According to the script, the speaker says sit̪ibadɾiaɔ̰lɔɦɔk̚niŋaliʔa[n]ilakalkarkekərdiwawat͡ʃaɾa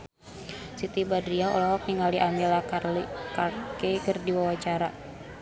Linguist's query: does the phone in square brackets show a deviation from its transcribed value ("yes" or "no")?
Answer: yes